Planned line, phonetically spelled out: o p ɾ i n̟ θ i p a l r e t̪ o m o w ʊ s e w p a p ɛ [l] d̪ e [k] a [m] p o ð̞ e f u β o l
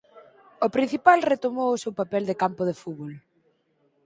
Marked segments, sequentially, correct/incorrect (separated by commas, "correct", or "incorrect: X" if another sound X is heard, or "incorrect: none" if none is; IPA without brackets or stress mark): correct, correct, correct